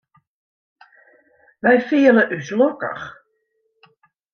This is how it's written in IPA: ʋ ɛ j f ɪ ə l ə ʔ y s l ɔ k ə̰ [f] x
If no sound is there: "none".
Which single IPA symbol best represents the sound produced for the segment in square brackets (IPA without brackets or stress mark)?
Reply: none